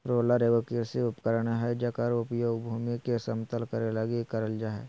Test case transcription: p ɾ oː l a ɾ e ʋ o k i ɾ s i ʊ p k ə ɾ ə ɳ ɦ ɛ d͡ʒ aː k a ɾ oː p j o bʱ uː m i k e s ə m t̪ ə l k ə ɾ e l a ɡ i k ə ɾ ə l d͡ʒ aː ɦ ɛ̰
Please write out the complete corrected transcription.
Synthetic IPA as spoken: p ɾ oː l a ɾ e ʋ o k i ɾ s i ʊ p k ə ɾ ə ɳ ɦ ɛ d͡ʒ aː k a ɾ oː p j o bʱ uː m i k e s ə m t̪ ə l k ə ɾ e l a ɡ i k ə ɾ ə l d͡ʒ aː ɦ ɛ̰